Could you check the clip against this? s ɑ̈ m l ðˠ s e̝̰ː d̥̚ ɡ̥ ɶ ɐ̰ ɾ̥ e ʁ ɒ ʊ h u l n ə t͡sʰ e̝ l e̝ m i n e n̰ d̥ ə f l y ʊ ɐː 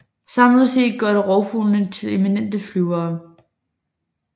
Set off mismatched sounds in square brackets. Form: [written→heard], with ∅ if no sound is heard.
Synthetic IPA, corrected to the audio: s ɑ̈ m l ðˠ s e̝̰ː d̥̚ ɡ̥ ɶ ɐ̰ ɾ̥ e ʁ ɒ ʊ [h→f] u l n ə t͡sʰ e̝ l e̝ m i n e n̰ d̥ ə f l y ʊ ɐː